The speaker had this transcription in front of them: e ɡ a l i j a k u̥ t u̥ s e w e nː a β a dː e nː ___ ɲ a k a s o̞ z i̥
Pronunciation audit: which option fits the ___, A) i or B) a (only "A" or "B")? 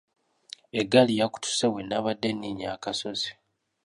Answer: A